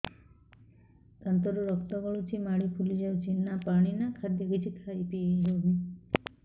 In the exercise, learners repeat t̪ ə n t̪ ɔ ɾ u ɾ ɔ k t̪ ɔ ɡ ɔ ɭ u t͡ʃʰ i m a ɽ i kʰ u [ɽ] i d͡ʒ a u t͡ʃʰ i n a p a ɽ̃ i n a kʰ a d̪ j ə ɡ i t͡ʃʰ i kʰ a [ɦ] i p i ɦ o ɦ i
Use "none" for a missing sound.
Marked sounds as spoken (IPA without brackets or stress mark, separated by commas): l, none